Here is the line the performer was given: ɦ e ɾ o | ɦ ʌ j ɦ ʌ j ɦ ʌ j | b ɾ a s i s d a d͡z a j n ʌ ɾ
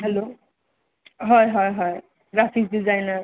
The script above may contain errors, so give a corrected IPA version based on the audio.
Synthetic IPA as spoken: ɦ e l o | ɦ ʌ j ɦ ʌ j ɦ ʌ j | ɡ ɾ a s i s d i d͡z a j n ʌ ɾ